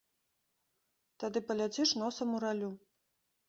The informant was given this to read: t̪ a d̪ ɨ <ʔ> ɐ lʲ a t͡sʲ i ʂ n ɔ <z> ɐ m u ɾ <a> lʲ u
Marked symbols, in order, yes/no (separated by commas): no, no, yes